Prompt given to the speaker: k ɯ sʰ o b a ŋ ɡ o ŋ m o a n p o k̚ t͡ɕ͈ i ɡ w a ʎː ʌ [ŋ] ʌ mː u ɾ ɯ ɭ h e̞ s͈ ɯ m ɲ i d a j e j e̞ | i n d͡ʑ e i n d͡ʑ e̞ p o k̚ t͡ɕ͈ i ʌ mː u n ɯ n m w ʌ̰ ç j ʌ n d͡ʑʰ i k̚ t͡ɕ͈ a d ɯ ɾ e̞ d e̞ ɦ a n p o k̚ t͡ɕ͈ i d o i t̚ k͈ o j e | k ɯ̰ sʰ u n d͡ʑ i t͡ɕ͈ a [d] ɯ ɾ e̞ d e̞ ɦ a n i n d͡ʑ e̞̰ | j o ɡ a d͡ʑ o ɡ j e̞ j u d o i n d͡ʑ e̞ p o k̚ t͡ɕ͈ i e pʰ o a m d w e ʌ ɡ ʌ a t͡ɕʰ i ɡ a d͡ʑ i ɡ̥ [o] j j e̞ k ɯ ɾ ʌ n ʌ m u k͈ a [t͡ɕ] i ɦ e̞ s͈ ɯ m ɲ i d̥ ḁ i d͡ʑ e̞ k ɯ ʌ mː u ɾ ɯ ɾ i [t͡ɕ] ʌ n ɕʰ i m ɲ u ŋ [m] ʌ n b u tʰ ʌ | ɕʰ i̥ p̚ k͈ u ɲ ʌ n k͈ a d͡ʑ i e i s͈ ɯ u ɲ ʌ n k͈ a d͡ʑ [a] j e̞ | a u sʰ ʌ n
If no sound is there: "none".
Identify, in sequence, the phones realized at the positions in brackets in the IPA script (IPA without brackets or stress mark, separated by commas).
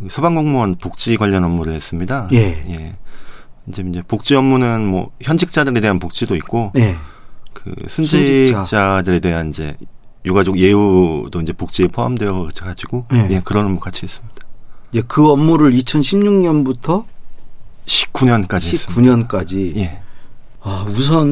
n, d, o, t͡ɕʰ, t͡ɕʰ, ɲ, i